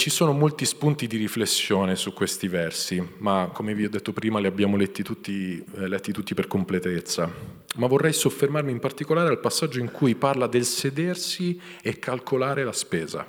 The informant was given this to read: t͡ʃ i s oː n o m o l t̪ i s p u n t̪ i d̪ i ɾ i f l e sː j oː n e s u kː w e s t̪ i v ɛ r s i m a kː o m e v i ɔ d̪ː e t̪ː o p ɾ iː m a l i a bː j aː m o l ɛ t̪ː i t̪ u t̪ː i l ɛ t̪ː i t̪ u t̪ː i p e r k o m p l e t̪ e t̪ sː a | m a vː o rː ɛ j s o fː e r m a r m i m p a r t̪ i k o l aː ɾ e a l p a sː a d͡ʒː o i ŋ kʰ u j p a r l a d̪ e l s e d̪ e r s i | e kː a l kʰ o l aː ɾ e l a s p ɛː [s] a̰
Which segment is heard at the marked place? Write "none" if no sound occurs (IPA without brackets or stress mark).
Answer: z